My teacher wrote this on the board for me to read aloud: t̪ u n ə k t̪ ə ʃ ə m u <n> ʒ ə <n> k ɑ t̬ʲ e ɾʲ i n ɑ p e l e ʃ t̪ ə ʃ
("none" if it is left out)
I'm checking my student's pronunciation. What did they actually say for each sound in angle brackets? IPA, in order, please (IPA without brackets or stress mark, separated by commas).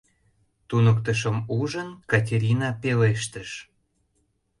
none, n